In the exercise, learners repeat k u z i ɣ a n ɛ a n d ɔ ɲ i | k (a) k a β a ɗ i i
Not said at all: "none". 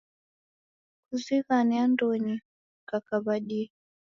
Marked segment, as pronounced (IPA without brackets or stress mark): a